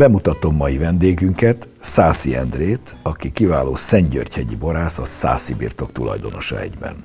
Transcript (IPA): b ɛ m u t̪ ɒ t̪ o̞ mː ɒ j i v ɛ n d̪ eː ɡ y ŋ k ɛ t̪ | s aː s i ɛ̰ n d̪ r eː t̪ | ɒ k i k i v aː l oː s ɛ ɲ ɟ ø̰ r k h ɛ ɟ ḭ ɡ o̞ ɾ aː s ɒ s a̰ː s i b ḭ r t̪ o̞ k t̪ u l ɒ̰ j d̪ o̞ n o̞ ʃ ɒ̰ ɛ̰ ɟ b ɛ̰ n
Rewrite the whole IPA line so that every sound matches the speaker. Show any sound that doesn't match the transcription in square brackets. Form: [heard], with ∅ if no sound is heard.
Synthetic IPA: b ɛ m u t̪ ɒ t̪ o̞ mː ɒ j i v ɛ n d̪ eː ɡ y ŋ k ɛ t̪ | s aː s i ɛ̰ n d̪ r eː t̪ | ɒ k i k i v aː l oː s ɛ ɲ ɟ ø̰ r [c] h ɛ ɟ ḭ [b] o̞ ɾ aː s ɒ s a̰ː s i b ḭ r t̪ o̞ k t̪ u l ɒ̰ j d̪ o̞ n o̞ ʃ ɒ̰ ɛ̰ ɟ b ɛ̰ n